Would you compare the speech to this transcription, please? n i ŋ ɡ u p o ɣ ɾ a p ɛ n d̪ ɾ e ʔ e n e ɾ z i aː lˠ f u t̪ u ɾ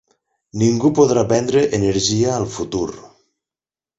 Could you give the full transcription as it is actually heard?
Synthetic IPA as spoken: n i ŋ ɡ u p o ð ɾ a p ɛ n d̪ ɾ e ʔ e n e ɾ ʒ i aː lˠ f u t̪ u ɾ